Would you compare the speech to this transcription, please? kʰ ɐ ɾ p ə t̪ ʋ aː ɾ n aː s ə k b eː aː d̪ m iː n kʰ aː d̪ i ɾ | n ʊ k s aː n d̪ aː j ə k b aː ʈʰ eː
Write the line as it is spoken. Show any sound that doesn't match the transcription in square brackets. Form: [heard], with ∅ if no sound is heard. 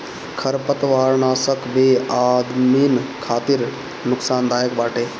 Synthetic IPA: kʰ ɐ ɾ p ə t̪ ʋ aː ɾ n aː s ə k b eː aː d̪ m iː n kʰ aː [t̪] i ɾ | n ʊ k s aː n d̪ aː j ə k b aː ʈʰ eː